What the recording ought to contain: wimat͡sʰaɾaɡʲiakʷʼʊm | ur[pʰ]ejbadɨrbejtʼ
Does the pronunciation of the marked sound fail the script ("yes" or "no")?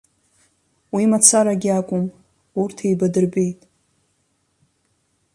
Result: yes